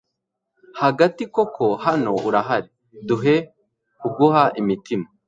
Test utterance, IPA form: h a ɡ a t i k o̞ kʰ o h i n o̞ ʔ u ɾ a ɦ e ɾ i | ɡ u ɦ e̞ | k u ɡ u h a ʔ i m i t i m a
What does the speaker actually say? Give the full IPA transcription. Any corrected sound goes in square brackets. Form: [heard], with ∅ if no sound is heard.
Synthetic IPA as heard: h a ɡ a t i k o̞ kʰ o h [a] n o̞ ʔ u ɾ a ɦ [a] ɾ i | [d] u ɦ e̞ | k u ɡ u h a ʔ i m i t i m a